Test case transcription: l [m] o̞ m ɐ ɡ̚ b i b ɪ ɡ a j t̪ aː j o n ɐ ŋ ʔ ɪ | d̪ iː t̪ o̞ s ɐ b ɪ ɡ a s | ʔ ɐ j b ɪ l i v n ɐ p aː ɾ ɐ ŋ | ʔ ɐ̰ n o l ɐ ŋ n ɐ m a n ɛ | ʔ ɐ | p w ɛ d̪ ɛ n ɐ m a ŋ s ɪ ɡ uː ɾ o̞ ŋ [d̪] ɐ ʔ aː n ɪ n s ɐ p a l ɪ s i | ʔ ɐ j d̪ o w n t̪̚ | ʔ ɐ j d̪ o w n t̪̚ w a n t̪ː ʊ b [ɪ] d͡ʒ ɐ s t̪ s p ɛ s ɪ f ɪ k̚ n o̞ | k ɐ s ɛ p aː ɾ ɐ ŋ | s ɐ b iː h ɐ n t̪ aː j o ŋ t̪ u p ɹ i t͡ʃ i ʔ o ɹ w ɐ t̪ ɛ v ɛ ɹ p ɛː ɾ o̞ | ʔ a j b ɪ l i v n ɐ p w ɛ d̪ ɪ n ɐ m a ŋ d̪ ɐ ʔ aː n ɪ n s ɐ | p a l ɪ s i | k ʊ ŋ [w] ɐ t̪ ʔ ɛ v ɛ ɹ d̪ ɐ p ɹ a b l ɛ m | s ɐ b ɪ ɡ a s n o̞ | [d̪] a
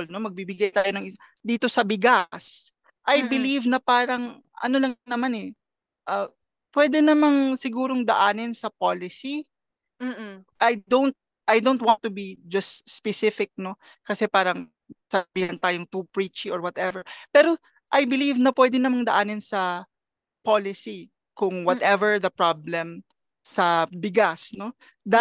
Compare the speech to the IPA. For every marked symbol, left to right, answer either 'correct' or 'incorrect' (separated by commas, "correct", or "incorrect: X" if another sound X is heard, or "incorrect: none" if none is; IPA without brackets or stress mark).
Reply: incorrect: n, correct, incorrect: i, correct, correct